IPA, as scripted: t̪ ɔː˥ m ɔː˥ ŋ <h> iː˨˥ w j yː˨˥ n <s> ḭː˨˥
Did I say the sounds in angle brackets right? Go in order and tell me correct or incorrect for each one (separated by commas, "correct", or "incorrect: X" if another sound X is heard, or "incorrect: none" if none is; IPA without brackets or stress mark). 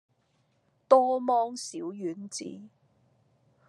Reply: incorrect: s, incorrect: t͡s